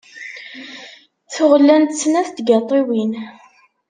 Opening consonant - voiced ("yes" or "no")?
no